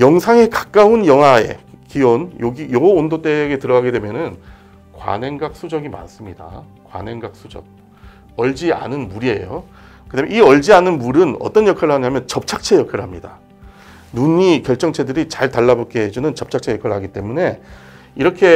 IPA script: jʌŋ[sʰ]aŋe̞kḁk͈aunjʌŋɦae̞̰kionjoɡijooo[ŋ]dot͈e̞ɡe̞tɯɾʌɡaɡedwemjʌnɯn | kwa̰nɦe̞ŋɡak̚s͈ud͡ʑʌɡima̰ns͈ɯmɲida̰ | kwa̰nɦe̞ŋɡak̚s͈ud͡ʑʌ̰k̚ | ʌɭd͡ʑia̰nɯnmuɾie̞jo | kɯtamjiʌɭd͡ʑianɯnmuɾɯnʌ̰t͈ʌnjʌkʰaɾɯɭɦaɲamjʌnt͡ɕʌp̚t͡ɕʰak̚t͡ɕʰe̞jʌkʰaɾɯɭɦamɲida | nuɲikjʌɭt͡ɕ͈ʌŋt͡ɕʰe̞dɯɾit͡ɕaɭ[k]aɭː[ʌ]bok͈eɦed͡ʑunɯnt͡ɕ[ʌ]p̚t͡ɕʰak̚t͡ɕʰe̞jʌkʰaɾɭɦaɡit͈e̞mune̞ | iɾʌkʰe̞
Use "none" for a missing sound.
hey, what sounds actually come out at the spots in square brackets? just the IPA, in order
sʰ, n, t, a, ʌ

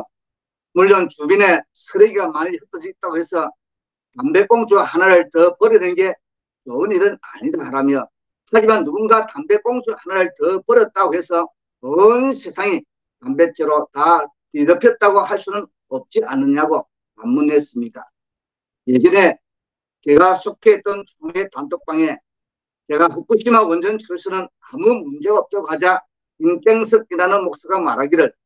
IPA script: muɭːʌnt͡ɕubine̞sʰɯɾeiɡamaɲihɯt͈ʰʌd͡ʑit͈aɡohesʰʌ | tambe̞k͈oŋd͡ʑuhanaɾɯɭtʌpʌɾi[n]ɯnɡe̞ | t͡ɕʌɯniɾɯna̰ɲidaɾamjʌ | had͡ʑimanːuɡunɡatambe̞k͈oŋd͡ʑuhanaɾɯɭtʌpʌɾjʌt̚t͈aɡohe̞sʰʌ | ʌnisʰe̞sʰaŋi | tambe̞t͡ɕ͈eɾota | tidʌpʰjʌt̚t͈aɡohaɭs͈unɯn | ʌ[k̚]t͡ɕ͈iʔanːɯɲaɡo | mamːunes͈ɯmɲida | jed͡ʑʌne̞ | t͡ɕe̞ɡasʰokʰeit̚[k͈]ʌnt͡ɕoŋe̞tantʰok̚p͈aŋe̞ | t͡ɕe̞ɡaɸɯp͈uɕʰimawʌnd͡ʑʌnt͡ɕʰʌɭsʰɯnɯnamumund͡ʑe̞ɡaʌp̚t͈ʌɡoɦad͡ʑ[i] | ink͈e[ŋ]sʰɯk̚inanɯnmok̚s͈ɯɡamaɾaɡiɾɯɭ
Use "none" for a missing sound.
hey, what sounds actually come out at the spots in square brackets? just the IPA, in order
n, p̚, t͈, a, ŋ

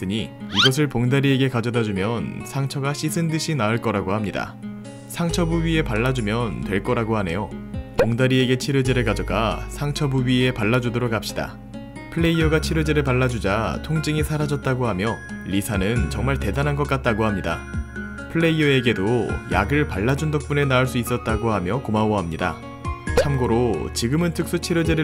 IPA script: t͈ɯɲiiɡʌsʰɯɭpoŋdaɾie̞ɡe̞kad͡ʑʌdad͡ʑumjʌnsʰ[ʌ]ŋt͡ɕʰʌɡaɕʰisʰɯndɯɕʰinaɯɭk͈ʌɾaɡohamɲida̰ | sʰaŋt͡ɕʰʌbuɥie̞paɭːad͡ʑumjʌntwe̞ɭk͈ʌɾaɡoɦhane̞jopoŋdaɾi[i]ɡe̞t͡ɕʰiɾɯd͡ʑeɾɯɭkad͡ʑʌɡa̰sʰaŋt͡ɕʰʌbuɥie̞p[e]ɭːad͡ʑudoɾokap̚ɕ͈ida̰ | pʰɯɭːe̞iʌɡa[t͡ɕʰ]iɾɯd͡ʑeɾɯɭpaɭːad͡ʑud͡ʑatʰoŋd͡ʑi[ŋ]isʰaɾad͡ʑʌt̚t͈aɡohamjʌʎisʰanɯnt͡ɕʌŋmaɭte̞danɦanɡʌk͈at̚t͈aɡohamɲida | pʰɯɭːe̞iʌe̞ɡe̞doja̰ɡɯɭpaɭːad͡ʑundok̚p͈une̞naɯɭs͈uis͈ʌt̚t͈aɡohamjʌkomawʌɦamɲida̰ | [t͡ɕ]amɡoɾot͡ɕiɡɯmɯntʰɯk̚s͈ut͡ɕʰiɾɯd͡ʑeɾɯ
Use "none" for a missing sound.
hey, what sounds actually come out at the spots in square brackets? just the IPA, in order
a, e, a, t͡ɕʰ, ŋ, t͡ɕʰ

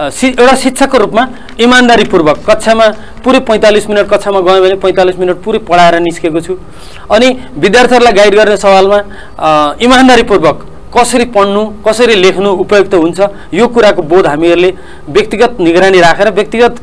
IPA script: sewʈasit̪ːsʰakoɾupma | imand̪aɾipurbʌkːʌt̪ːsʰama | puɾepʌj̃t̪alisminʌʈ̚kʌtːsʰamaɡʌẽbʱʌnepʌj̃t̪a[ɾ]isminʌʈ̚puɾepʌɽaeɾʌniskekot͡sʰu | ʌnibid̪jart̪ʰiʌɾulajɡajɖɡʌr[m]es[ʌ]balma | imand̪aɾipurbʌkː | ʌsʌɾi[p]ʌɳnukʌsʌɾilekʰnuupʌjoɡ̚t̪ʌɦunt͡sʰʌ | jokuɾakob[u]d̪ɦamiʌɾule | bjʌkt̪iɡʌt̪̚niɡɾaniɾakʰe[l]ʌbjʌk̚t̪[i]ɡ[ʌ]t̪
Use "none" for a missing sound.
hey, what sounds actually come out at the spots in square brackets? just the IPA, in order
l, n, ʌ, p, o, ɾ, i, ʌ

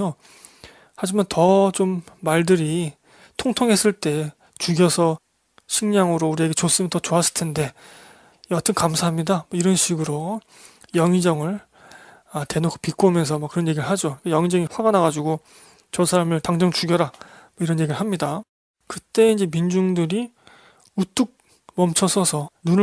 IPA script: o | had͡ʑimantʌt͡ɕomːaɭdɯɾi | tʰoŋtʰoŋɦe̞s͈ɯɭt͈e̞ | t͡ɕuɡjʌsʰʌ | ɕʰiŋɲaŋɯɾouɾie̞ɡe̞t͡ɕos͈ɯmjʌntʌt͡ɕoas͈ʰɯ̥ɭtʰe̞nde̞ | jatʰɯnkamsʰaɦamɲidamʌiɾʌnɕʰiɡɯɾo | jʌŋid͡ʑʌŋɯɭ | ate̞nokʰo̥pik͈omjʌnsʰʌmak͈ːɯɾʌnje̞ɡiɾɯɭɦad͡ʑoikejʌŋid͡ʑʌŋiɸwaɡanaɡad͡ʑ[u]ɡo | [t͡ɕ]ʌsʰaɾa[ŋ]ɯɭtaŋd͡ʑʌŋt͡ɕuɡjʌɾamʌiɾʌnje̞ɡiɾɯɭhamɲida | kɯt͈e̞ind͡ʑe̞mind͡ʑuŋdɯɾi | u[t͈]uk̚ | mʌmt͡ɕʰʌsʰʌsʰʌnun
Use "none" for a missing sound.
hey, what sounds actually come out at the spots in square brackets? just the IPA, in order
u, t͡ɕ, m, t͈

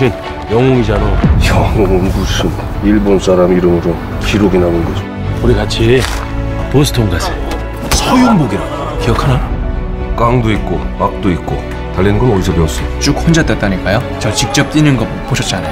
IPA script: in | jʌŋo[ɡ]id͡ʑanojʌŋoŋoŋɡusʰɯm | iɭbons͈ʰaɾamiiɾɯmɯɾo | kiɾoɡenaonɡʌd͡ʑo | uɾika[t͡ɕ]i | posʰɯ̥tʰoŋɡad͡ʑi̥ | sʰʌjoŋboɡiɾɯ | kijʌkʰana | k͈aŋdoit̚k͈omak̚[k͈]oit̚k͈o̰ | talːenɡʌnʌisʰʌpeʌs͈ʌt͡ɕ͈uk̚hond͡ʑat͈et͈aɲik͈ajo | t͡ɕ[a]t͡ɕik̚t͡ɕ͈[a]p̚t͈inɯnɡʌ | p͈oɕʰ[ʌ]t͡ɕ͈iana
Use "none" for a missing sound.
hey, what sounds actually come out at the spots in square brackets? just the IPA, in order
ŋ, t͡ɕʰ, t͈, ʌ, ʌ, ʌ

